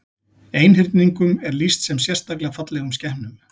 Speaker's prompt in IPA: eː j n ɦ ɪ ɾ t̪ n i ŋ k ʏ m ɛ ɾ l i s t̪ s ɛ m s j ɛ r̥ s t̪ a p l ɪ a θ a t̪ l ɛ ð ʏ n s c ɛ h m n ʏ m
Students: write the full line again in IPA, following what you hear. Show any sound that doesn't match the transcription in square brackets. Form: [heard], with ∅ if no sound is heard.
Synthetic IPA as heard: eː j n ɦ ɪ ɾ t̪ n i ŋ k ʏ m ɛ ɾ l i s t̪ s ɛ m s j ɛ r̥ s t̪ a [k] l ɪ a [f] a t̪ l ɛ [ɣ] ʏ [m] s c ɛ h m n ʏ m